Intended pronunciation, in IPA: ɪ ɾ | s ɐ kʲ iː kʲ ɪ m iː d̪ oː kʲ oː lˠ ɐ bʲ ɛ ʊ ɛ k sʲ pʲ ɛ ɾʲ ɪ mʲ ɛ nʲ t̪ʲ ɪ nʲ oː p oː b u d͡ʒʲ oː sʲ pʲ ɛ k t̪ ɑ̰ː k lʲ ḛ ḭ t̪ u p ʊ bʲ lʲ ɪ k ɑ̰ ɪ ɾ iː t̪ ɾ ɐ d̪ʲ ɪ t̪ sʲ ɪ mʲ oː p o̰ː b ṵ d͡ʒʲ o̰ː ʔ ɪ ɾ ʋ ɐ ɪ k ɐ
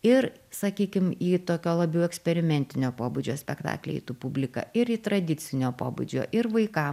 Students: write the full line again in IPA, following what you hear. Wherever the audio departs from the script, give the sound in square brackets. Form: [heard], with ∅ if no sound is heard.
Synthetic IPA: ɪ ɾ | s ɐ kʲ iː kʲ ɪ m iː [t̪] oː kʲ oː lˠ ɐ bʲ ɛ ʊ ɛ k sʲ pʲ ɛ ɾʲ ɪ mʲ ɛ nʲ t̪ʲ ɪ nʲ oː p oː b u d͡ʒʲ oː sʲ pʲ ɛ k t̪ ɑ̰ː k lʲ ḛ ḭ t̪ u p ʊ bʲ lʲ ɪ k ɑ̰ ɪ ɾ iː t̪ ɾ ɐ d̪ʲ ɪ t̪ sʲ ɪ [nʲ] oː p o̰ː b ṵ d͡ʒʲ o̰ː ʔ ɪ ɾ ʋ ɐ ɪ k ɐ

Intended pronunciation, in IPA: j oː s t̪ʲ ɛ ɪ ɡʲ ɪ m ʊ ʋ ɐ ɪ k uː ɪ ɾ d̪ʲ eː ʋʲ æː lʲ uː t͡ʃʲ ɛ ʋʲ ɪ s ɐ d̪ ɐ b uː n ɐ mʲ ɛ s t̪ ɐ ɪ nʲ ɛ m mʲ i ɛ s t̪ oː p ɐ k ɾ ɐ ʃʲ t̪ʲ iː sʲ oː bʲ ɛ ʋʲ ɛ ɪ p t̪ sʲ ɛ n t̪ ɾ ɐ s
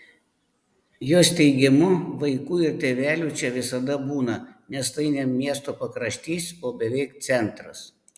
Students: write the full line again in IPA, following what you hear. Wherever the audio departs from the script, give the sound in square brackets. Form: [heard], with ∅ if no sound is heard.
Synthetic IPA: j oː s t̪ʲ ɛ ɪ ɡʲ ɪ m ʊ ʋ ɐ ɪ k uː ɪ ɾ [t̪ʲ] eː ʋʲ æː lʲ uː t͡ʃʲ ɛ ʋʲ ɪ s ɐ d̪ ɐ b uː n ɐ [nʲ] ɛ s t̪ ɐ ɪ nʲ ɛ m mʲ i ɛ s t̪ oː p ɐ k ɾ ɐ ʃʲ t̪ʲ iː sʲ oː bʲ ɛ ʋʲ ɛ ɪ [k] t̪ sʲ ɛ n t̪ ɾ ɐ s

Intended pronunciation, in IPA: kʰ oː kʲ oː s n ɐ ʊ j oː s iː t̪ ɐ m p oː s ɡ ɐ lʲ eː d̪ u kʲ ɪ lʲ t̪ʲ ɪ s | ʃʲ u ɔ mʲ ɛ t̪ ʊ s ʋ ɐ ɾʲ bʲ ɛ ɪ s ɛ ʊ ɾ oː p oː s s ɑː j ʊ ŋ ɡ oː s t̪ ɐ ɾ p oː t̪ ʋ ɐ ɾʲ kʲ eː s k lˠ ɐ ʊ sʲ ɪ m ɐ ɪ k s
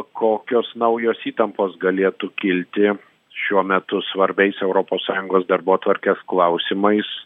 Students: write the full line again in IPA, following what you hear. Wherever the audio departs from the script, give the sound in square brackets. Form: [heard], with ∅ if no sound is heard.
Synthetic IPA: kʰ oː kʲ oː s n ɐ ʊ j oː s iː t̪ ɐ m p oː s ɡ ɐ lʲ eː [t̪] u kʲ ɪ lʲ t̪ʲ ɪ [∅] | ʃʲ u ɔ mʲ ɛ t̪ ʊ s ʋ ɐ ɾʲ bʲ ɛ ɪ s ɛ ʊ ɾ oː p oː s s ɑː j ʊ ŋ ɡ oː s [d̪] ɐ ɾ [b] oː t̪ ʋ ɐ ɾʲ kʲ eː s k lˠ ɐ ʊ sʲ ɪ m ɐ ɪ [∅] s

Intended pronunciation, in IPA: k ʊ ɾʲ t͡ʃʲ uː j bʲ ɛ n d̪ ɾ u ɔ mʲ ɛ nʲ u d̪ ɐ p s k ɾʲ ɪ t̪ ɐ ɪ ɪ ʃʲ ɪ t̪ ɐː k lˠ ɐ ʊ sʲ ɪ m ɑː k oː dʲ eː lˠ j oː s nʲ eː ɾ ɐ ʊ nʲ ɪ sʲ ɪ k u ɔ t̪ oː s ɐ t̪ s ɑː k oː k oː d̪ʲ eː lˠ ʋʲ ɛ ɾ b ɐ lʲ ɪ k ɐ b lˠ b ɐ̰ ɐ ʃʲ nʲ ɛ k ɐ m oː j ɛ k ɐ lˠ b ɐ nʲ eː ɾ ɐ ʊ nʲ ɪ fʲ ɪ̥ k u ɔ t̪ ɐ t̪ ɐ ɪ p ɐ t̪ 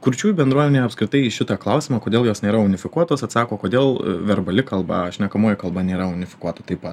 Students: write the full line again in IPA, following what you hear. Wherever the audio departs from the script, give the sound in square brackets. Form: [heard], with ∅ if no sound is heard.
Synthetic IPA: k ʊ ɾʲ t͡ʃʲ uː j bʲ ɛ n d̪ ɾ u ɔ mʲ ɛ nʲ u [∅] ɐ p s k ɾʲ ɪ t̪ ɐ ɪ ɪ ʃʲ ɪ t̪ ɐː k lˠ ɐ ʊ sʲ ɪ m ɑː k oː dʲ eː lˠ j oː s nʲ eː ɾ ɐ ʊ nʲ ɪ [fʲ] ɪ k u ɔ t̪ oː s ɐ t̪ s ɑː k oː k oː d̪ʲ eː lˠ ʋʲ ɛ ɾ b ɐ lʲ ɪ k ɐ [∅] lˠ b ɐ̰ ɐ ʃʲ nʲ ɛ k ɐ m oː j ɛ k ɐ lˠ b ɐ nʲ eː ɾ ɐ ʊ nʲ ɪ fʲ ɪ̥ k u ɔ t̪ ɐ t̪ ɐ ɪ p ɐ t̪

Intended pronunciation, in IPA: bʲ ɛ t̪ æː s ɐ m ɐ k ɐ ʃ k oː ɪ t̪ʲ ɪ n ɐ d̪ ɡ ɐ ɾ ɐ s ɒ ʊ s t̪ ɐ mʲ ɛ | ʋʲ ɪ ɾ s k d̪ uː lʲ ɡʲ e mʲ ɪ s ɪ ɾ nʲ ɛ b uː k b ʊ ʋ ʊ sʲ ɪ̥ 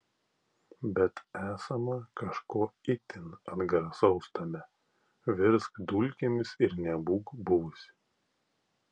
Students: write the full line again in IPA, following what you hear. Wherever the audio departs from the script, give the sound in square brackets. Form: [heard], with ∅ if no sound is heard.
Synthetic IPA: bʲ ɛ t̪ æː s ɐ m ɐ k ɐ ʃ k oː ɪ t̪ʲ ɪ n ɐ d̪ ɡ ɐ ɾ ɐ s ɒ ʊ s t̪ ɐ mʲ ɛ | ʋʲ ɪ ɾ s k d̪ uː lʲ [kʲ] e mʲ ɪ s ɪ ɾ nʲ ɛ b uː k b ʊ ʋ ʊ sʲ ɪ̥

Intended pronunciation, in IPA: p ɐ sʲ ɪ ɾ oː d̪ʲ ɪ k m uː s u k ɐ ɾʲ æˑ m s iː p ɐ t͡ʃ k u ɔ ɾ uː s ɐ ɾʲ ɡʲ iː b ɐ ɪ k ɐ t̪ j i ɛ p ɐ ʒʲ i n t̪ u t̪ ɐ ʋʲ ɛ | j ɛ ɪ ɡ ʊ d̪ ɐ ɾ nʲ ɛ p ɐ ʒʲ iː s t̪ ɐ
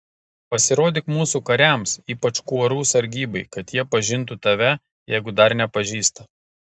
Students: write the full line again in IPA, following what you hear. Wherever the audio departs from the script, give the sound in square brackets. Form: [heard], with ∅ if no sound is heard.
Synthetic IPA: p ɐ sʲ ɪ ɾ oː d̪ʲ ɪ k m uː s u k ɐ ɾʲ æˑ m s iː p ɐ t͡ʃ k u ɔ ɾ uː s ɐ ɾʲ ɡʲ iː b ɐ ɪ k ɐ t̪ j i ɛ p ɐ ʒʲ [ɪ] n t̪ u t̪ ɐ ʋʲ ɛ | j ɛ ɪ ɡ ʊ d̪ ɐ ɾ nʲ ɛ p ɐ ʒʲ iː s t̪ ɐ

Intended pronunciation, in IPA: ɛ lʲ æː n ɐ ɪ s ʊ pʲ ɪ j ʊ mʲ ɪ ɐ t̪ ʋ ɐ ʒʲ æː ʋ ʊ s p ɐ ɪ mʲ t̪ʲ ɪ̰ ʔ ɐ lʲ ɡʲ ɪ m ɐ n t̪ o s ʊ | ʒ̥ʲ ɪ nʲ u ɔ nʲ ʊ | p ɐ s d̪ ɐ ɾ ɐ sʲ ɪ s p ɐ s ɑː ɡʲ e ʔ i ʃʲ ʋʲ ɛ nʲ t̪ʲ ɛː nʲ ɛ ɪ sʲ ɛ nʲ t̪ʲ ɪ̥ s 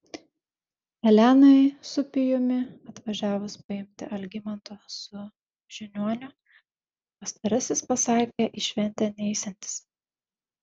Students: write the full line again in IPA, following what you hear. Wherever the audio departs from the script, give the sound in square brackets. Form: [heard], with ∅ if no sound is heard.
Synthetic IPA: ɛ lʲ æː n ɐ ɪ s ʊ pʲ ɪ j ʊ mʲ ɪ ɐ t̪ ʋ ɐ ʒʲ æː ʋ ʊ s p ɐ ɪ mʲ t̪ʲ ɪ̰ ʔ ɐ lʲ ɡʲ ɪ m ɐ n t̪ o s ʊ | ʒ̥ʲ ɪ nʲ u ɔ nʲ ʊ | p ɐ s [t̪] ɐ ɾ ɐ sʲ ɪ s p ɐ s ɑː [kʲ] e ʔ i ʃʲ ʋʲ ɛ nʲ t̪ʲ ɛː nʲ ɛ ɪ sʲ ɛ nʲ t̪ʲ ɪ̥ s

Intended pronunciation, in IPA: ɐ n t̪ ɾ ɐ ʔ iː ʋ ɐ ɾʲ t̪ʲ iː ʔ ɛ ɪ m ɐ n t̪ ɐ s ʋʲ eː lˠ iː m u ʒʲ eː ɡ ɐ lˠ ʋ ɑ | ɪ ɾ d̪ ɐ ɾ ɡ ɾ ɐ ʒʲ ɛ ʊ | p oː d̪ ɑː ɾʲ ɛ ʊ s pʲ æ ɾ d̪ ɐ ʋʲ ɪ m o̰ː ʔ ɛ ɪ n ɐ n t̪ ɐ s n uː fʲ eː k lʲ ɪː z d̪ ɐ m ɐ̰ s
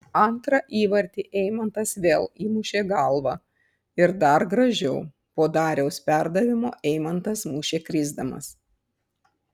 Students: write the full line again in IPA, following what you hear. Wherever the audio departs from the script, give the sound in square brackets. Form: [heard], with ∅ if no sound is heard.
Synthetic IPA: ɐ n t̪ ɾ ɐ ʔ iː ʋ ɐ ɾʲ t̪ʲ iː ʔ ɛ ɪ m ɐ n t̪ ɐ s ʋʲ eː lˠ iː m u [ʃʲ] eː ɡ ɐ lˠ ʋ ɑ | ɪ ɾ d̪ ɐ ɾ ɡ ɾ ɐ ʒʲ ɛ ʊ | p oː d̪ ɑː ɾʲ ɛ ʊ s pʲ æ ɾ d̪ ɐ ʋʲ ɪ m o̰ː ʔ ɛ ɪ [m] ɐ n t̪ ɐ s [m] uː [ʃʲ] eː k [ɾʲ] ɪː z d̪ ɐ m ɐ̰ s

